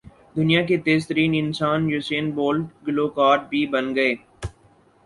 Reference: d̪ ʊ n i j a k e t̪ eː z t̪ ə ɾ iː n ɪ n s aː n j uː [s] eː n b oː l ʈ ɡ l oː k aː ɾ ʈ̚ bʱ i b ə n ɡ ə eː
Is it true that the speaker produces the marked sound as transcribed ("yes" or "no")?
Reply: yes